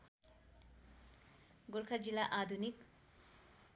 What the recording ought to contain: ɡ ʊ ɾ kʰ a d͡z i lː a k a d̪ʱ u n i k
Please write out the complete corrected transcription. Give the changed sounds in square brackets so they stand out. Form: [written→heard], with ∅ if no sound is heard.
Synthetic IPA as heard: ɡ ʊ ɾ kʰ a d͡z i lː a [k→ʔ] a d̪ʱ u n i k